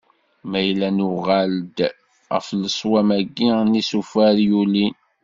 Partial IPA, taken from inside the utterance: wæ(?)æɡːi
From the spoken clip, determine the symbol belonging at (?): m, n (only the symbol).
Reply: m